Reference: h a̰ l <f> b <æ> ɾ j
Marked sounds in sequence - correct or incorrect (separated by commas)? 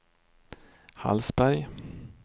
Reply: incorrect, correct